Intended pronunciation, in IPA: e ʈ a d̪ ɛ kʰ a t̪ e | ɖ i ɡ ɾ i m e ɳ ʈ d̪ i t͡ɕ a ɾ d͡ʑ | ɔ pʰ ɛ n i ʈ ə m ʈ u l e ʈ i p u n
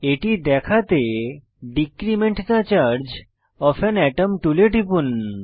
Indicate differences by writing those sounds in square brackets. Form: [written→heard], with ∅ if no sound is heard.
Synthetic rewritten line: e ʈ [a→i] d̪ ɛ kʰ a t̪ e | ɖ i [ɡ→k] ɾ i m e ɳ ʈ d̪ [i→a] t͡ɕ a ɾ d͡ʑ | ɔ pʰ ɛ n [i→ɛ] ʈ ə m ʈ u l e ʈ i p u n